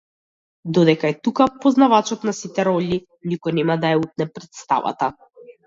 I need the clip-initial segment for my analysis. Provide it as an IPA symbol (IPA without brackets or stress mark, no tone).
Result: d̪